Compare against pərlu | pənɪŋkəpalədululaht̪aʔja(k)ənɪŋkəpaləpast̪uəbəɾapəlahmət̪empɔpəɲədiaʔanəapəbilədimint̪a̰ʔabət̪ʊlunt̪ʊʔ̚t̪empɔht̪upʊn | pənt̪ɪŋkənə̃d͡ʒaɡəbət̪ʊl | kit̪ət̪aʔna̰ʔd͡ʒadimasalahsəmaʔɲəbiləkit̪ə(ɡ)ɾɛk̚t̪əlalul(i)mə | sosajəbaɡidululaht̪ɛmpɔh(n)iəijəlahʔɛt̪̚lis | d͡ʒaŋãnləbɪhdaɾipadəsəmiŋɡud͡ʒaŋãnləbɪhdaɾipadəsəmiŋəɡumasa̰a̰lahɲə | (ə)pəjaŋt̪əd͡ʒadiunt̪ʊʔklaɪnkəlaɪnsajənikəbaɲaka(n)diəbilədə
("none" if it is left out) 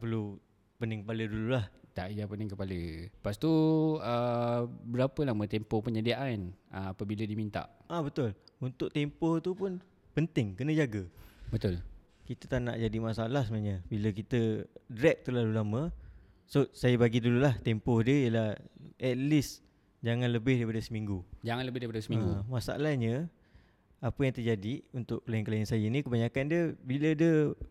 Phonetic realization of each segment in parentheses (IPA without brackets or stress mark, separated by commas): p, d, a, d, a, n